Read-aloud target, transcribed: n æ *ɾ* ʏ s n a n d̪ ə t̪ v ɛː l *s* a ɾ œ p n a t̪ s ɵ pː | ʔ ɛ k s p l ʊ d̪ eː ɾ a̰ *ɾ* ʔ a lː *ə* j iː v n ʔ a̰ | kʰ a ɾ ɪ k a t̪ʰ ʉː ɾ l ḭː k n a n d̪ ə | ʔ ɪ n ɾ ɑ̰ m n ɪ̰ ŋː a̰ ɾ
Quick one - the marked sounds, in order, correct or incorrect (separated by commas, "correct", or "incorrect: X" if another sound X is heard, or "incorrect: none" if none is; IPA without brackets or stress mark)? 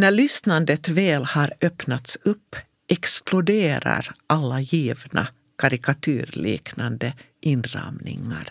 incorrect: ɭ, incorrect: h, correct, incorrect: a